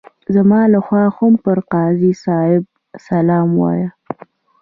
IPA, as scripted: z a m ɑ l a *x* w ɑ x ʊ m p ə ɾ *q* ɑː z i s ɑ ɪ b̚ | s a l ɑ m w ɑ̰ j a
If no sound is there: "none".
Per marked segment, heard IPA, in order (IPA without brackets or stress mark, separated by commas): x, q